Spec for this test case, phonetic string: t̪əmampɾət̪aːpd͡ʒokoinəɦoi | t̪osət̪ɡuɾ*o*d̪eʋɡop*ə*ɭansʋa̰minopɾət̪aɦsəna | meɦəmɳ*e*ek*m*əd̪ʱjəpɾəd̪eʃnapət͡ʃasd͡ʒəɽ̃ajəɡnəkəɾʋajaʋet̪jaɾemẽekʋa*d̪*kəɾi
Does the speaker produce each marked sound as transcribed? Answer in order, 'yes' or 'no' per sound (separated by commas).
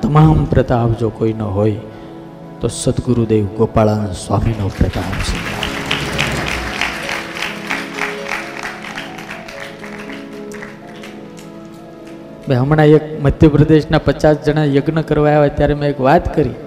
no, no, no, yes, no